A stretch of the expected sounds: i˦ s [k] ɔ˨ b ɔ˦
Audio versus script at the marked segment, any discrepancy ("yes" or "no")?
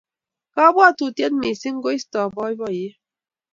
yes